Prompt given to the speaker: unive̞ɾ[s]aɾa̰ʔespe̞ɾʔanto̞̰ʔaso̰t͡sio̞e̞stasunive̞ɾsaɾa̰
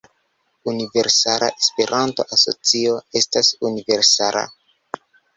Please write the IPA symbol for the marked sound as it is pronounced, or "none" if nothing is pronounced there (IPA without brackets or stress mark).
s